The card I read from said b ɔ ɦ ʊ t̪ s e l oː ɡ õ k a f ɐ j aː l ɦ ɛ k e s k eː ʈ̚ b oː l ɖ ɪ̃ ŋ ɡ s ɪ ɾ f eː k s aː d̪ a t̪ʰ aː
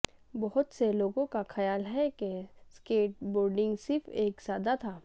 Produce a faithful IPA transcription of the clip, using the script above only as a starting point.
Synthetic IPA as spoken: b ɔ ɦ ʊ t̪ s e l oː ɡ õ k a x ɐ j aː l ɦ ɛ k e s k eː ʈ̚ b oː ɾ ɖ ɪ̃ ŋ ɡ s ɪ ɾ f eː k s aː d̪ a t̪ʰ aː